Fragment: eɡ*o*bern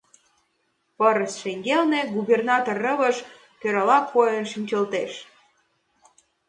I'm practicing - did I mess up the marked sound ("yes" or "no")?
yes